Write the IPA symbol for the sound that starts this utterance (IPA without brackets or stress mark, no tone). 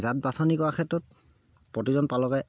z